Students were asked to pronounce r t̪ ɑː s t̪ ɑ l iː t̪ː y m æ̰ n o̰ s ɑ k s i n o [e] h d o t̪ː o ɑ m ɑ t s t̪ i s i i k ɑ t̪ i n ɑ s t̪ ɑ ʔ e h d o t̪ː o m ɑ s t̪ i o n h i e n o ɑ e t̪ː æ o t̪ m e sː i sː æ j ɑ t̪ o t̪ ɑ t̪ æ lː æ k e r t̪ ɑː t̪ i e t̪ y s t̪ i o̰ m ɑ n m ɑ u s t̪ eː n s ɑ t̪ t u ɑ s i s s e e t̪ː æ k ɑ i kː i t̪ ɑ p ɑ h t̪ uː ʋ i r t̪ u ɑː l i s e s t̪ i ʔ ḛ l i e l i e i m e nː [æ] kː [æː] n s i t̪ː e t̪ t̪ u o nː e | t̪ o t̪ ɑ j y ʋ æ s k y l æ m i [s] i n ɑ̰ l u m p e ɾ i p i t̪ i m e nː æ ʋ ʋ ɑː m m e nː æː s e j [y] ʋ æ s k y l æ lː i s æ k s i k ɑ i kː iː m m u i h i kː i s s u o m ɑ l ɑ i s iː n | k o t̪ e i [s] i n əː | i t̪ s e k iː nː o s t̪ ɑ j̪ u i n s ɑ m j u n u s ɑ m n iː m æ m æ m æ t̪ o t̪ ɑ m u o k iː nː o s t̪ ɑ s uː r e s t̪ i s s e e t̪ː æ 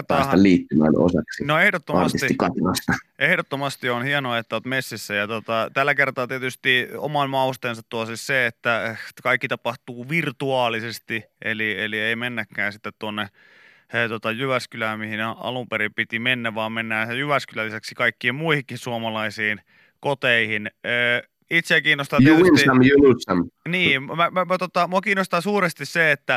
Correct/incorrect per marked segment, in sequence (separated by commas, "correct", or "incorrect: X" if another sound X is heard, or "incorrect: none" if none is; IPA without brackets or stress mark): correct, correct, correct, incorrect: h, correct, incorrect: h